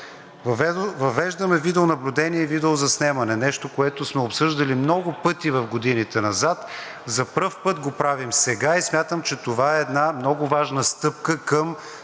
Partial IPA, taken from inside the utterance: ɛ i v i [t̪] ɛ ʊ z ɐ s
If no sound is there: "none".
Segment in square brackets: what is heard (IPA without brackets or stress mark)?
d̪